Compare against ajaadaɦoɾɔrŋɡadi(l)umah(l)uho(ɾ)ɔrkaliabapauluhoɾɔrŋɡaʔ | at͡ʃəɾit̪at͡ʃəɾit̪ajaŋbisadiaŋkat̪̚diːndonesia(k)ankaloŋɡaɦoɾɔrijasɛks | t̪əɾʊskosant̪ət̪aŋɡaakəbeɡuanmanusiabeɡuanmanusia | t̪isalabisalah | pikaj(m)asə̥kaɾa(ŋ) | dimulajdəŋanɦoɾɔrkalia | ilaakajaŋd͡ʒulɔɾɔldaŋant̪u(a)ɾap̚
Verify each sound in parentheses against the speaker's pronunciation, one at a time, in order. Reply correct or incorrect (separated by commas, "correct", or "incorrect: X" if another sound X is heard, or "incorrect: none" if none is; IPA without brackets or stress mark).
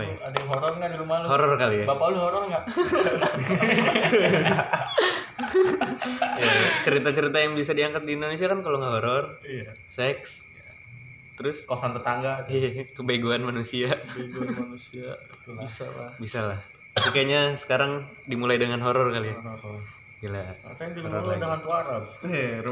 incorrect: ɾ, correct, correct, correct, incorrect: ɲ, correct, correct